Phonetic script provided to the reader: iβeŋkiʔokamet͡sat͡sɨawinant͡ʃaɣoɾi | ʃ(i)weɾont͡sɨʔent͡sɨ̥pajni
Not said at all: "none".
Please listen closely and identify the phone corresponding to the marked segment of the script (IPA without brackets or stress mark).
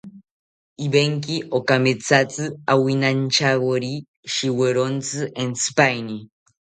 i